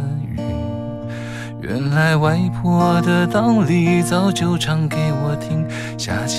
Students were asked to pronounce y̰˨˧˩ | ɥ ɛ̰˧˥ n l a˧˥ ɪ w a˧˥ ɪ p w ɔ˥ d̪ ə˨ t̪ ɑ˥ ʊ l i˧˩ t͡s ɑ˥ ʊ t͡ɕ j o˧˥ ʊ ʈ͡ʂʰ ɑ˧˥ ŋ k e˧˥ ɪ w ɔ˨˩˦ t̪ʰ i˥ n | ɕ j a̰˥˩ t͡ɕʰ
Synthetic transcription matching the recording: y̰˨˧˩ | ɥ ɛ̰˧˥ n l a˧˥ ɪ w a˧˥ ɪ pʰ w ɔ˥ d̪ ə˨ t̪ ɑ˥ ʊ l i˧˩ t͡s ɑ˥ ʊ t͡ɕ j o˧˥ ʊ ʈ͡ʂʰ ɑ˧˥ ŋ k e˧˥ ɪ w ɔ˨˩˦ t̪ʰ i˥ ŋ | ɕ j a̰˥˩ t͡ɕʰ